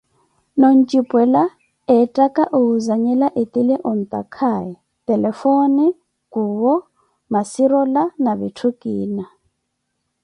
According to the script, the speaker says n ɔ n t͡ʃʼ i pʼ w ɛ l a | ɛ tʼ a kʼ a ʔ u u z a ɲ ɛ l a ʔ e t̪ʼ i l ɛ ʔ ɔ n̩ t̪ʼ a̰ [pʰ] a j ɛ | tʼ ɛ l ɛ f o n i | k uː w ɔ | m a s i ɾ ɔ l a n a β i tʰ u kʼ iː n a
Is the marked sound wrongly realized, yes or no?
yes